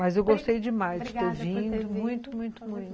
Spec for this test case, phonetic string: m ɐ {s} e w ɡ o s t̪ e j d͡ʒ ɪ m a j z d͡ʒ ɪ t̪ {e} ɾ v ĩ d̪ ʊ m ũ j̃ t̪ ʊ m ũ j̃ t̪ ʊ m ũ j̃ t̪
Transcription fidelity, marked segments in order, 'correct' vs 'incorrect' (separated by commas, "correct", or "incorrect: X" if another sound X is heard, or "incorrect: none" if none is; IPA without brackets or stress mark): incorrect: z, correct